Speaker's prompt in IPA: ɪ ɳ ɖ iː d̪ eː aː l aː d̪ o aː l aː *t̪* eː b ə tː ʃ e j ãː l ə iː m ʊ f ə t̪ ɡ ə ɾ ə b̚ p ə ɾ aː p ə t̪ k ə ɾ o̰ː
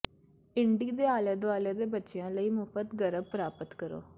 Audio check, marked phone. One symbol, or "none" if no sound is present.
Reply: d̪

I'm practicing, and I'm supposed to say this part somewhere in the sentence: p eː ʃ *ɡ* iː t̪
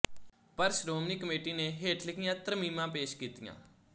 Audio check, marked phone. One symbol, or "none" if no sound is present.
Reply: k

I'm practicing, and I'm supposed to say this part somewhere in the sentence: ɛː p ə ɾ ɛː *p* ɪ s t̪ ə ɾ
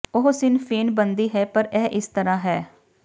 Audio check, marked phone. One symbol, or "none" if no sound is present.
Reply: ʔ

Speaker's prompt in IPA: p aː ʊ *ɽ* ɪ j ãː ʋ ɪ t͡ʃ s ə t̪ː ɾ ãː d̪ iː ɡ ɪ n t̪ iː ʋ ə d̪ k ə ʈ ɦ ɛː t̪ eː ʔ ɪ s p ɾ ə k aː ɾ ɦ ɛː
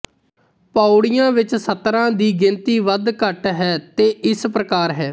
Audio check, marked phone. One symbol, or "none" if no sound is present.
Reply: ɽ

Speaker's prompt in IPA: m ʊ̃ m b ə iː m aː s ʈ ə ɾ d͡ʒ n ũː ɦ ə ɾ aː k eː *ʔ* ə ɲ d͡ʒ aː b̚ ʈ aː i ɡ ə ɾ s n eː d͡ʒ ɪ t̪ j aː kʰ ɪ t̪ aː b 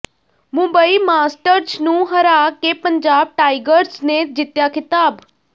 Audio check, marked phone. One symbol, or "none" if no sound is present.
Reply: p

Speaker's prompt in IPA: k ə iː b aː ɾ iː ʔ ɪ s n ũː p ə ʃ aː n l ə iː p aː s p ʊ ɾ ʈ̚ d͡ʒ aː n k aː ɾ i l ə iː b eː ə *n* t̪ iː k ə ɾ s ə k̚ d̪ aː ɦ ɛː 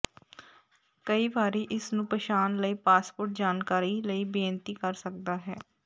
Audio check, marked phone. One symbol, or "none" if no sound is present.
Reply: n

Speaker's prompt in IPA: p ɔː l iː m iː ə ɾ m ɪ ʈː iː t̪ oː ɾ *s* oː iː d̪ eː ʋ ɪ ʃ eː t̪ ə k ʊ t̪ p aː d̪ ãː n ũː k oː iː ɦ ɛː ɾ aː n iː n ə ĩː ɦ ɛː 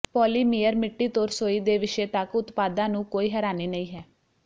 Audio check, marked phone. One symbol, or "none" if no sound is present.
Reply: s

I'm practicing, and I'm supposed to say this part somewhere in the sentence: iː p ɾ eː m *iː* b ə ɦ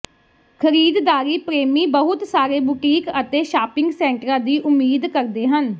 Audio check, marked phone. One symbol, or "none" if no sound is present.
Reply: iː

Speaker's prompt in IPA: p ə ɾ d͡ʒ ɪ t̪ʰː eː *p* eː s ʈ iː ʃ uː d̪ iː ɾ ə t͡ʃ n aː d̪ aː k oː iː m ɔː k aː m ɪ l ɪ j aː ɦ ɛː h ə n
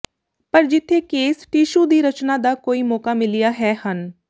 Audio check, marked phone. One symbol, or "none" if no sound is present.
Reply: k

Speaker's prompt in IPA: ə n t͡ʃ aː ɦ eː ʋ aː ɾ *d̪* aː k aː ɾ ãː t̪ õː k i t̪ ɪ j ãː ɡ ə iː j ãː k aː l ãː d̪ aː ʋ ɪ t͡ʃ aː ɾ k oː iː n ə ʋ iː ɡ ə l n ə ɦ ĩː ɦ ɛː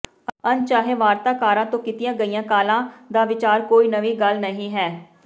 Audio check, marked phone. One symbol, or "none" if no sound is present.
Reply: t̪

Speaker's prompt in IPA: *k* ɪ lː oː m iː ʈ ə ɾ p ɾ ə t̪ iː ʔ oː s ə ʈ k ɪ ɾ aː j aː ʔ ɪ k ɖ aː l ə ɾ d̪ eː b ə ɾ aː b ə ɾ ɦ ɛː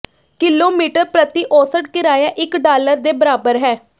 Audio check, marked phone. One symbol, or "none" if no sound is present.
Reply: k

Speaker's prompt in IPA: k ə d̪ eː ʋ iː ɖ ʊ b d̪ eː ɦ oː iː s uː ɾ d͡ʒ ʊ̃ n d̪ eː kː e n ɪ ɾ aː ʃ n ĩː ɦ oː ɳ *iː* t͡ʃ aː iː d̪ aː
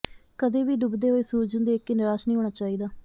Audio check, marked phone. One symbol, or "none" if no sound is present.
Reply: aː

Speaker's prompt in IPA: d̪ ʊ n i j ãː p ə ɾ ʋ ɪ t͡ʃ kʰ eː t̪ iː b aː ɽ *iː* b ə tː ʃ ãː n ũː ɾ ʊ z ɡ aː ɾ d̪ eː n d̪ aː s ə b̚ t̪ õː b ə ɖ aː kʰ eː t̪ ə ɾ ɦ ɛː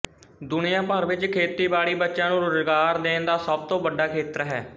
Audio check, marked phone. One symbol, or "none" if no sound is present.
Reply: iː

